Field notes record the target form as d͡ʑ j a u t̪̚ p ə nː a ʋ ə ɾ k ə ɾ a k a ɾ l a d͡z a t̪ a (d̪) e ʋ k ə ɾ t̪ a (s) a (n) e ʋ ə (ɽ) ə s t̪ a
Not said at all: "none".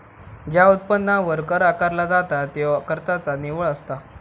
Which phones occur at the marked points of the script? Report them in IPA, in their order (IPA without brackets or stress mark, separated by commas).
t̪, t͡s, n, ɭ